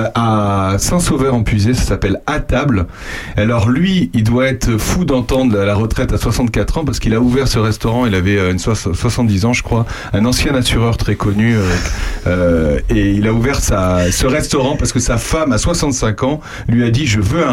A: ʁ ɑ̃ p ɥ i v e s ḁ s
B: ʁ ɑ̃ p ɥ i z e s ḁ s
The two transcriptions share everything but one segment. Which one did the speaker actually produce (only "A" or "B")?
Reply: B